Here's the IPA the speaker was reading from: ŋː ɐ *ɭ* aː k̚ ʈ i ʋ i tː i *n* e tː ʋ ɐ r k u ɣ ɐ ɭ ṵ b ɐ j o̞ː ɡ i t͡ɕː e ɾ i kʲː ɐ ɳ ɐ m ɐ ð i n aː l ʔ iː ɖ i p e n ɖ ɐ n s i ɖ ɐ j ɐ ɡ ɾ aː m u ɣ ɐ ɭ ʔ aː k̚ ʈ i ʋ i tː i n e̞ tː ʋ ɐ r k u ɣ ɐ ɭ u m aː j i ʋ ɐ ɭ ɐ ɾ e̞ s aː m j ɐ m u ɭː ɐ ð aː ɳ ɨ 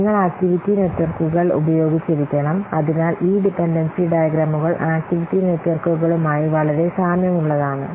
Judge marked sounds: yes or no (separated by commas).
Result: yes, yes